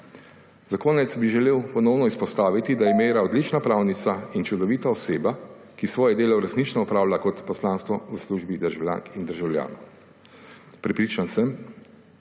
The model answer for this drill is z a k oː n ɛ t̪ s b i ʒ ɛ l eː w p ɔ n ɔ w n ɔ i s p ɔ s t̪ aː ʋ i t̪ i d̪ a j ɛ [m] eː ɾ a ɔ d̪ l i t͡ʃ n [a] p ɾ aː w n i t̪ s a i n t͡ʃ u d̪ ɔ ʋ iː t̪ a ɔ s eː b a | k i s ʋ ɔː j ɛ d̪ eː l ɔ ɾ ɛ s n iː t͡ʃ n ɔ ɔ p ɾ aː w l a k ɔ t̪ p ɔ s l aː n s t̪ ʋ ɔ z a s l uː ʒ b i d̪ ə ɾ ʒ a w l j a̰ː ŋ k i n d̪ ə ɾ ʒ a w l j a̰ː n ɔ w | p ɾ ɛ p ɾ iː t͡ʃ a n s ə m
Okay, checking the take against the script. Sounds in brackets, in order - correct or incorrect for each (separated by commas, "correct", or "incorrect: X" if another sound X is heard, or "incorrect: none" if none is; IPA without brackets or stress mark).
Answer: correct, correct